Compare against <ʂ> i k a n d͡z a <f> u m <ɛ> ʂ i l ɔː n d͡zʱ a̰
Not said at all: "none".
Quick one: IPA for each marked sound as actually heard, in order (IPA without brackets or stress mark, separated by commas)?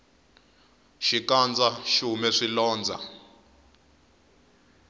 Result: ʃ, ʃ, ɛ